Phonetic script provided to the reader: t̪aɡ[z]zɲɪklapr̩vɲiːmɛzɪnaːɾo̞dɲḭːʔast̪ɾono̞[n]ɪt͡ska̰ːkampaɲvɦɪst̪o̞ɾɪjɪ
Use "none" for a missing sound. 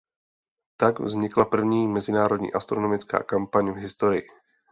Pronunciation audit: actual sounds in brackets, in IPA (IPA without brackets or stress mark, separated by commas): v, m